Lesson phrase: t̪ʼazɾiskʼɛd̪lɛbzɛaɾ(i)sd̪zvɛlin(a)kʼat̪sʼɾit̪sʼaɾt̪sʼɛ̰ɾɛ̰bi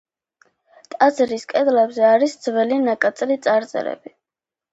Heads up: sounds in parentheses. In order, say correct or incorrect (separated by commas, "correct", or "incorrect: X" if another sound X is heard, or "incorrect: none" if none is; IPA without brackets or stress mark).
correct, correct